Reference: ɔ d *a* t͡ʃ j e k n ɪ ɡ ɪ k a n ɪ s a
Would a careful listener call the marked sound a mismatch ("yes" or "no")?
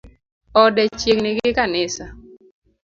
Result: yes